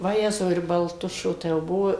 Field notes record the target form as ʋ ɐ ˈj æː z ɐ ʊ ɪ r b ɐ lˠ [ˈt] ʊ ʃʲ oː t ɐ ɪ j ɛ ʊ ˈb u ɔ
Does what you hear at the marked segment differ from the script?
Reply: no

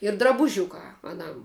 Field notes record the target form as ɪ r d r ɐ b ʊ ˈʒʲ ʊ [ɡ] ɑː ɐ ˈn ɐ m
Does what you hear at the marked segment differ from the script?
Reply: yes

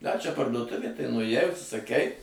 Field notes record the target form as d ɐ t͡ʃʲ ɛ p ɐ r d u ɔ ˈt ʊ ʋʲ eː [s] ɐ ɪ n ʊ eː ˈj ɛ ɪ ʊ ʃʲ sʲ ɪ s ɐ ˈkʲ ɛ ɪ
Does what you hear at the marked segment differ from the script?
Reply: yes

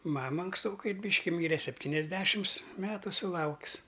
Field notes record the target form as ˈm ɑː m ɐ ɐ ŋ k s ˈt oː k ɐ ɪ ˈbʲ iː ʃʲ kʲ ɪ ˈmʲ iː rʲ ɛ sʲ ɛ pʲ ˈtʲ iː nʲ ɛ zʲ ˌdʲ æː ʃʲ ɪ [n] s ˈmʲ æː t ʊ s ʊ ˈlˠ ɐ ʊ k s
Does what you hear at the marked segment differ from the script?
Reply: yes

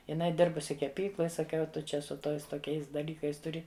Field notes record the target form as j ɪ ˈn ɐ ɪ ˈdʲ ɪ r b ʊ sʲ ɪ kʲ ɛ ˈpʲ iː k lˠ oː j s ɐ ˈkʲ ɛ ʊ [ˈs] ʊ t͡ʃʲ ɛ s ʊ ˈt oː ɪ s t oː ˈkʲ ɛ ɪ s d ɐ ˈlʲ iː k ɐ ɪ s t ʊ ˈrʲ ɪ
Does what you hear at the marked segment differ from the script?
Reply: yes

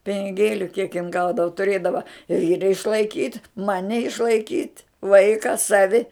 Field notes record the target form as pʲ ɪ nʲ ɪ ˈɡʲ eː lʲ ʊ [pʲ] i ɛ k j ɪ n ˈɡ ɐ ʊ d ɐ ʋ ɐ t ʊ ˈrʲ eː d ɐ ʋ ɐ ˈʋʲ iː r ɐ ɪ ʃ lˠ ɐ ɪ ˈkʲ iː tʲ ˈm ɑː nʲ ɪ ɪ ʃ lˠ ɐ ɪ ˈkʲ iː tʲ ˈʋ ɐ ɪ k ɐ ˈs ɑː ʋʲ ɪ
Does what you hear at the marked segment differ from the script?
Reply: yes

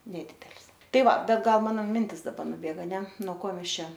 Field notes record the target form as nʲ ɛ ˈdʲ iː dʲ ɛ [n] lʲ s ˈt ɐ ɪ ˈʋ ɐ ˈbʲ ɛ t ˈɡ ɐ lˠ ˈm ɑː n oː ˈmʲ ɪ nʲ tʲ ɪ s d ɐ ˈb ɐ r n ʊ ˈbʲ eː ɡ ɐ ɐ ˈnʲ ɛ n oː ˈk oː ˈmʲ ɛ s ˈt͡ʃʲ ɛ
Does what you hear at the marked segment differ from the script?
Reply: yes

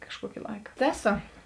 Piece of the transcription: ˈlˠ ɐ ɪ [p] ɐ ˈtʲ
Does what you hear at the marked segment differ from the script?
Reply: yes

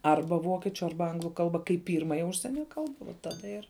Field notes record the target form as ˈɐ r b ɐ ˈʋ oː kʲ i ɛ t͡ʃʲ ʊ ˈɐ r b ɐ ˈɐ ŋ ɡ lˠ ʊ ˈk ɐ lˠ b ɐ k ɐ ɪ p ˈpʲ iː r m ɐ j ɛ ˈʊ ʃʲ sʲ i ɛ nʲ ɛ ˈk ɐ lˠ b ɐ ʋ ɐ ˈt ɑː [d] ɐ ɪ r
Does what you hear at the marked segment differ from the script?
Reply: no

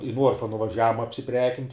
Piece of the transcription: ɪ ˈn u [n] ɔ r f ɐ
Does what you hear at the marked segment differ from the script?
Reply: yes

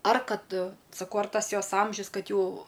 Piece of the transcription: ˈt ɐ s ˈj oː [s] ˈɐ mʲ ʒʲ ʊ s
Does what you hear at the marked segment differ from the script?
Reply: no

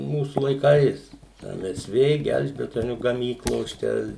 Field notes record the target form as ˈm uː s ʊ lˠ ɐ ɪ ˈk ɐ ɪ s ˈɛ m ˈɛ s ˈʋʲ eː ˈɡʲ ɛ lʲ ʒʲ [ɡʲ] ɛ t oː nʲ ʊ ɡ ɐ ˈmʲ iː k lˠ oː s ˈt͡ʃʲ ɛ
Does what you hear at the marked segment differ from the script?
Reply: yes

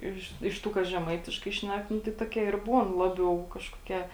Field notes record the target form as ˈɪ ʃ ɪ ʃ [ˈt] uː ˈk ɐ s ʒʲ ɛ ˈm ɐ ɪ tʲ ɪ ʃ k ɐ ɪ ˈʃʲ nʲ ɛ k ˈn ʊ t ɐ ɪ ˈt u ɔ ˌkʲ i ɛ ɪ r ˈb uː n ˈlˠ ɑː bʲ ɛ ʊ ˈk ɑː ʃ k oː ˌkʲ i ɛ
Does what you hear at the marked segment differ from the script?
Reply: no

